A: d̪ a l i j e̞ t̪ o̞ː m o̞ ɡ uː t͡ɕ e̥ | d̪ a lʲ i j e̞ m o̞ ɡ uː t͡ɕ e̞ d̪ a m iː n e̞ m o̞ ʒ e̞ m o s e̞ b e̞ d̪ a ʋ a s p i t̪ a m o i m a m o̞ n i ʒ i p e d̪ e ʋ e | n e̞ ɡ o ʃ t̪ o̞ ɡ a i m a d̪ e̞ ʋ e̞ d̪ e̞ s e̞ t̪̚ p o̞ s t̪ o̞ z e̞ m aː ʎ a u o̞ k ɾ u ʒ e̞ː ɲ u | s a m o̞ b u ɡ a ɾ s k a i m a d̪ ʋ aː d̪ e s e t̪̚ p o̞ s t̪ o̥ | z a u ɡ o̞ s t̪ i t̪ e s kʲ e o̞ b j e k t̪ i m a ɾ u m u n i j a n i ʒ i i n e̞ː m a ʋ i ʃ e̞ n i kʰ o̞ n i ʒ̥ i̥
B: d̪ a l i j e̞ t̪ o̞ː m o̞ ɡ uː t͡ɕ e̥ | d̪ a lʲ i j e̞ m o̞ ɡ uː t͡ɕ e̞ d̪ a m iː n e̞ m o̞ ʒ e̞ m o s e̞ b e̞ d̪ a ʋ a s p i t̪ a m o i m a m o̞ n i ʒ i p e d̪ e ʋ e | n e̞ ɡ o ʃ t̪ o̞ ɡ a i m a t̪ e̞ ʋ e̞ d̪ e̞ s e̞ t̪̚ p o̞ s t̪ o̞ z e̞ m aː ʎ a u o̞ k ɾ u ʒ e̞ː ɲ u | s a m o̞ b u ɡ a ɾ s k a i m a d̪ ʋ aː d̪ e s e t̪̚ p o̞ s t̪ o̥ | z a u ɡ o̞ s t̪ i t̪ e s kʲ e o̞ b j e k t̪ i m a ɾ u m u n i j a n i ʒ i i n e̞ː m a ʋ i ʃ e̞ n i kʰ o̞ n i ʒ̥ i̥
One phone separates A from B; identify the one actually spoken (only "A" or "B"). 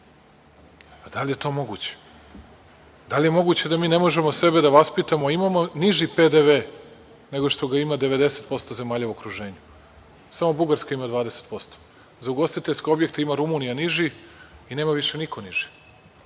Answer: A